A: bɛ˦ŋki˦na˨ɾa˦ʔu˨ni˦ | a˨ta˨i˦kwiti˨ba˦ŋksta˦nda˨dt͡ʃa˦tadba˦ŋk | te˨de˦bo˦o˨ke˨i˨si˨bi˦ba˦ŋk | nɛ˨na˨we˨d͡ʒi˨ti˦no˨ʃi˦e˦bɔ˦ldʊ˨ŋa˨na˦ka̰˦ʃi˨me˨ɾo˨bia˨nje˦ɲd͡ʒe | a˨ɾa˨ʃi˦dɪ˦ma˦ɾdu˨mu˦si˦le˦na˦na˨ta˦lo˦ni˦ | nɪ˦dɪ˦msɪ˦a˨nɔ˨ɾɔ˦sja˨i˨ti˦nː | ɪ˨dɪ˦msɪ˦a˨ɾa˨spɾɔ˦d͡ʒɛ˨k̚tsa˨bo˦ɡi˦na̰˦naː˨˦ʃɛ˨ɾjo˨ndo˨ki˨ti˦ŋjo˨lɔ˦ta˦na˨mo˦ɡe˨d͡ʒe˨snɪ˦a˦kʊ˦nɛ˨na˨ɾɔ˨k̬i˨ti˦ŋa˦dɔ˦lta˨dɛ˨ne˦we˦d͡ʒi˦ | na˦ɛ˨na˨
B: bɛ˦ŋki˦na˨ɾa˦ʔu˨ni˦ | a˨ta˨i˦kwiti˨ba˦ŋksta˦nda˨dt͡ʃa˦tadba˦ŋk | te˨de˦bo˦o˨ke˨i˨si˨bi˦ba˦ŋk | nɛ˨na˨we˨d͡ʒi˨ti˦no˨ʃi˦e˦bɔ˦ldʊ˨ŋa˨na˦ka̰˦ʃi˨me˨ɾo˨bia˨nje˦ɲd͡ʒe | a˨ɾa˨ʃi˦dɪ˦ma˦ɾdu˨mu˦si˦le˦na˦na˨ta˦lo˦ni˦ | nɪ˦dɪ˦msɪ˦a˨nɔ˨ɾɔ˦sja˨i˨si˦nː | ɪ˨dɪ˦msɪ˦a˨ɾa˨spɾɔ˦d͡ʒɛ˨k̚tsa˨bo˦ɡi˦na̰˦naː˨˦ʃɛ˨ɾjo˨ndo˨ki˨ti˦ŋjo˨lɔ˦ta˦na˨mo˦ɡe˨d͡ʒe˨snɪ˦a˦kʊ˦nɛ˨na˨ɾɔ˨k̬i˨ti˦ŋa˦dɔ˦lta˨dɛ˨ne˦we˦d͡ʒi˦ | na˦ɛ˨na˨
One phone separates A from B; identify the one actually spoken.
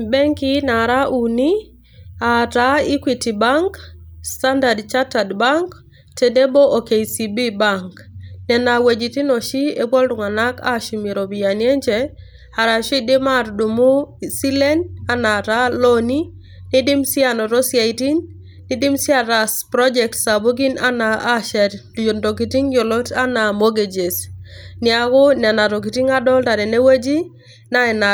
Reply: A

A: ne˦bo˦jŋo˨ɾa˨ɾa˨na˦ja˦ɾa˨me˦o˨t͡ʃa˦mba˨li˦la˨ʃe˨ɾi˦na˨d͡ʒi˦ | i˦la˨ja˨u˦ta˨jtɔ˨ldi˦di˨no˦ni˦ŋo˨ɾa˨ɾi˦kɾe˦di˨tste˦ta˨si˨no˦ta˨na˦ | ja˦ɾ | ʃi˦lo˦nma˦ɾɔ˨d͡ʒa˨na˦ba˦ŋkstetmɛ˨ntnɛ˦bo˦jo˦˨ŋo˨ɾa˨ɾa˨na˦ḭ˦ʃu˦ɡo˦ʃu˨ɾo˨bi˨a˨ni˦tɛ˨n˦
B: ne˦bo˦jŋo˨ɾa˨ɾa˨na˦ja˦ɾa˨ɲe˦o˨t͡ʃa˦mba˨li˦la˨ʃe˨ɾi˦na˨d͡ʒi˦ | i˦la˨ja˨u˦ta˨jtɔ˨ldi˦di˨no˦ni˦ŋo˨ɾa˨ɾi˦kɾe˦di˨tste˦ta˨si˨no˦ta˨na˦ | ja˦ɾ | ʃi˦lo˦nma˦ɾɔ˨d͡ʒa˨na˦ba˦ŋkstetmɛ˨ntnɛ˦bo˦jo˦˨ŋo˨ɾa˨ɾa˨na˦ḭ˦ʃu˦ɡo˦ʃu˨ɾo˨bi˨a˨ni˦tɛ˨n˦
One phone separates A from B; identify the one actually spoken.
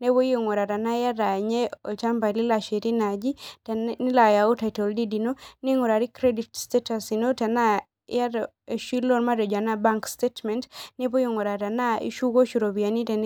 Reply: B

